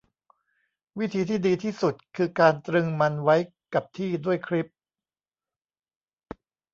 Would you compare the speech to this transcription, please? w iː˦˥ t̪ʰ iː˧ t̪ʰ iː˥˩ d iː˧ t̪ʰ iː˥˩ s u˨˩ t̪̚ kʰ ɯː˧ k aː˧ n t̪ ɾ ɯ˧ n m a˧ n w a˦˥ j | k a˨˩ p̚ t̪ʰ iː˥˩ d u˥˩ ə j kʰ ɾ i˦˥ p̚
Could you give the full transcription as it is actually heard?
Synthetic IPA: w i˦˥ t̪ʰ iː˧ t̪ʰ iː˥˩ d iː˧ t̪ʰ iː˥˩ s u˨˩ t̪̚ kʰ ɯː˧ k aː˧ n t̪ ɾ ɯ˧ ŋ m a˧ n w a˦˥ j | k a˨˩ p̚ t̪ʰ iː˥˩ d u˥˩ ə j kʰ ɾ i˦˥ p̚

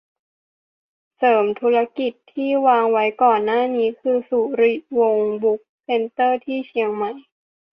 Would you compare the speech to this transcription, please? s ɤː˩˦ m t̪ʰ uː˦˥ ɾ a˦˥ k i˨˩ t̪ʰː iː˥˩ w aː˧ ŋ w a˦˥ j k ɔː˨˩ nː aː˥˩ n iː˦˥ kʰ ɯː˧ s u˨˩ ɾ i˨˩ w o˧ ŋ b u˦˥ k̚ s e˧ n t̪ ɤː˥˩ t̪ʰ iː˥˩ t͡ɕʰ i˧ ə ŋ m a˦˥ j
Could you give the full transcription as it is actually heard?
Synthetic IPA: s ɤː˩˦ m t̪ʰ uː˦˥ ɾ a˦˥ k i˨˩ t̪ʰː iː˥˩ w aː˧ ŋ w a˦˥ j k ɔː˨˩ nː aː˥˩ n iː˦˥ kʰ ɯː˧ s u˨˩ ɾ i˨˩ w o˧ ŋ b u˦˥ k̚ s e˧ n t̪ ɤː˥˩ t̪ʰ iː˥˩ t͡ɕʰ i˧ ə ŋ m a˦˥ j

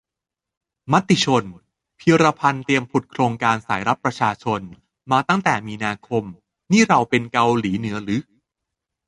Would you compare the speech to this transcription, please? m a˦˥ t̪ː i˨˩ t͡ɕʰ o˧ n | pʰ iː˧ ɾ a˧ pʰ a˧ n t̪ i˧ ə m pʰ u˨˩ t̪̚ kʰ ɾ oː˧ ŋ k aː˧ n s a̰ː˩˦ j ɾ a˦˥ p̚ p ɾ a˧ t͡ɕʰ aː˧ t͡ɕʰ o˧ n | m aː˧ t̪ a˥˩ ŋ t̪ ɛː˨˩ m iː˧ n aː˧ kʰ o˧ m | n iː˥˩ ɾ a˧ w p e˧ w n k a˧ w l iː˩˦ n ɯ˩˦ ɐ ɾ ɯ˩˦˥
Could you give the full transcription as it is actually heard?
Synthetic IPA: m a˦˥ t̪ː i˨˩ t͡ɕʰ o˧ n | pʰ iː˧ ɾ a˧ pʰ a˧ n t̪ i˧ ə m pʰ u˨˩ t̪̚ kʰ ɾ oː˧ ŋ k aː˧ n s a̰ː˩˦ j ɾ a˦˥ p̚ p ɾ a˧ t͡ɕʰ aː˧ t͡ɕʰ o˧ n | m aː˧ t̪ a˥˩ ŋ t̪ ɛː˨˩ m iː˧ n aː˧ kʰ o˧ m | n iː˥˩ ɾ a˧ w p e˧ n k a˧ w l iː˩˦ n ɯ˩˦ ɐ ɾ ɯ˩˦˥

